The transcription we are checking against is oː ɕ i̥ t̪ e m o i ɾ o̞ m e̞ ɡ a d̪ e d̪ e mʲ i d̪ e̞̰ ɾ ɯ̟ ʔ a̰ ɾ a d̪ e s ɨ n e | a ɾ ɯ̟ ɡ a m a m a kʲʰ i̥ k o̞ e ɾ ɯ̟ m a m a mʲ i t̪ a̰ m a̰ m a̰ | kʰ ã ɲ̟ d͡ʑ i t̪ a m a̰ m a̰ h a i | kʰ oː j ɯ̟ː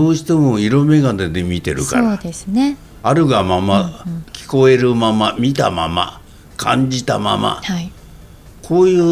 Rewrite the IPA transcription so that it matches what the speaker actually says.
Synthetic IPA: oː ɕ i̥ t̪ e m o i ɾ o̞ m e̞ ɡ a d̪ e d̪ e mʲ i t̪ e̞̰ ɾ ɯ̟ k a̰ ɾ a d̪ e s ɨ n e | a ɾ ɯ̟ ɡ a m a m a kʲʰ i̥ k o̞ e ɾ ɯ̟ m a m a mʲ i t̪ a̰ m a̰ m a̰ | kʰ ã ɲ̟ d͡ʑ i t̪ a m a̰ m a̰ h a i | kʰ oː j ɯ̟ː